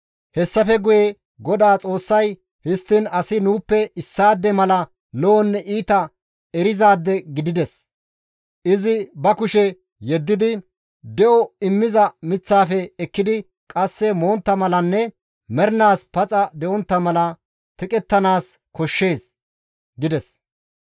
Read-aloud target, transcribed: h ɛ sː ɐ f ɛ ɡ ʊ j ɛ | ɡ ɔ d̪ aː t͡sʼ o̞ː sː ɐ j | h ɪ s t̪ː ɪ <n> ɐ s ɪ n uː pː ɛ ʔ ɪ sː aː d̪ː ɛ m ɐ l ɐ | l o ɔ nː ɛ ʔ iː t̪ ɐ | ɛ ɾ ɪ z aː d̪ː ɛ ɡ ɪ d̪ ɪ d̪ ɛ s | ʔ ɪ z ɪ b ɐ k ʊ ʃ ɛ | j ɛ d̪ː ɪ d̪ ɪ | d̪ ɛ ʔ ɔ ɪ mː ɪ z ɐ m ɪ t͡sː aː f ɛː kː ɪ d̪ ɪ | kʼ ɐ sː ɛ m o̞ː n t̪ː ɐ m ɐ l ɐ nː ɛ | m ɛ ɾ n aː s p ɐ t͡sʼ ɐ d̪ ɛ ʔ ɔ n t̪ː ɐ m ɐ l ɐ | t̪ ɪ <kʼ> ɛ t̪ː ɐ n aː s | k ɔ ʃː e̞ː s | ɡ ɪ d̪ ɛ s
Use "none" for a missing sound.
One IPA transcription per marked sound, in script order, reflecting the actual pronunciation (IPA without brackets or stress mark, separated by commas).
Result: n, kʼ